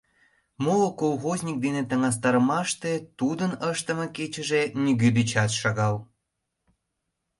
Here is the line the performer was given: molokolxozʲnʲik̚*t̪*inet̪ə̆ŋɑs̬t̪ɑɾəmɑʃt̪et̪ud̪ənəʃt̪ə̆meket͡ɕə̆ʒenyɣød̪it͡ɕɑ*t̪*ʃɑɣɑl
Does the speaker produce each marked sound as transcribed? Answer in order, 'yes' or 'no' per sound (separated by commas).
no, yes